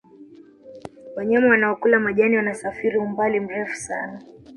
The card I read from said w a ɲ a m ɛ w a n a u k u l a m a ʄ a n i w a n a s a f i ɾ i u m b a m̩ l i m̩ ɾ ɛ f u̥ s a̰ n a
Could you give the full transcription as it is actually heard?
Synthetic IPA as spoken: w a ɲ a m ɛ w a n a ɔ k u l a m a ʄ a n i w a n a s a f i ɾ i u m b a l i m̩ ɾ ɛ f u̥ s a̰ n a